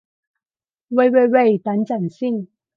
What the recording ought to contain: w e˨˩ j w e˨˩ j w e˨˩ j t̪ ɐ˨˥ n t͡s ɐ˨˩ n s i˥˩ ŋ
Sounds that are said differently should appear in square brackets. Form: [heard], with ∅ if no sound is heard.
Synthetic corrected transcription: w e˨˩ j w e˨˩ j w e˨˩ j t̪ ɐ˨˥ n t͡s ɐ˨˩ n s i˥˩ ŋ